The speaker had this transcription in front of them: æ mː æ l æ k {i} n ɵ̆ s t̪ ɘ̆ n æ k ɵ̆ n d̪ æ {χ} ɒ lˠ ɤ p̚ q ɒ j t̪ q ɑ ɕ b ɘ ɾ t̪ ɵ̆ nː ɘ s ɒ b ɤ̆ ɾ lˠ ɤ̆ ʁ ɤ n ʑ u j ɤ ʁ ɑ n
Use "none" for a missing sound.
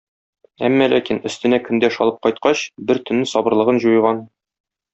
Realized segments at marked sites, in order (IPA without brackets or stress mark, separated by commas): i, ʃ